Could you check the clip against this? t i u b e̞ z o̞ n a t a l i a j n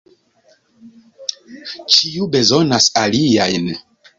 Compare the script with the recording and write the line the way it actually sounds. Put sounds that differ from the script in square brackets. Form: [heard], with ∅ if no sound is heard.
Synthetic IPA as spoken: [t͡ʃ] i u b e̞ z o̞ n a [s] a l i a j n